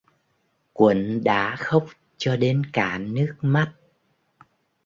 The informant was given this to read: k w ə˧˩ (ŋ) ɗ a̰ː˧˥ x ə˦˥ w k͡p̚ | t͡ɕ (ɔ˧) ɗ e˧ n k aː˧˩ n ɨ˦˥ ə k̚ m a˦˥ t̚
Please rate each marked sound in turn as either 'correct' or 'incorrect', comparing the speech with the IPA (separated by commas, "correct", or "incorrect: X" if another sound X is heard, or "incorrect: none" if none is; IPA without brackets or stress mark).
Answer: incorrect: n, correct